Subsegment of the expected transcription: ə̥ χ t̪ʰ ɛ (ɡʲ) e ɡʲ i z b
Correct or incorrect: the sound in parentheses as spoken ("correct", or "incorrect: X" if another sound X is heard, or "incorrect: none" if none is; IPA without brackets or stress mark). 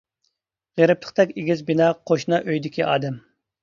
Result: incorrect: kʲ